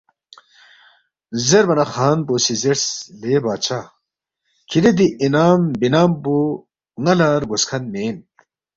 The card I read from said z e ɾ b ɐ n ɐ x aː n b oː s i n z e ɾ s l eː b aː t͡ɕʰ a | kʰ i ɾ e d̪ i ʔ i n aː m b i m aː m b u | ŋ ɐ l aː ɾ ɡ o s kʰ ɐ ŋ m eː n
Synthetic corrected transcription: z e ɾ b ɐ n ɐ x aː n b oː s i z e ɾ s l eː b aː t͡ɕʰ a | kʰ i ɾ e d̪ i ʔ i n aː m b i n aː m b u | ŋ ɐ l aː ɾ ɡ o s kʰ ɐ n m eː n